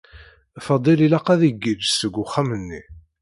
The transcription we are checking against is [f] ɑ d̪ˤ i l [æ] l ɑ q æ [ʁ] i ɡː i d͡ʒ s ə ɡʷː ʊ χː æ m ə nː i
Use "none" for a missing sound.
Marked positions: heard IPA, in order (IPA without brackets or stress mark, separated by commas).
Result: f, i, ð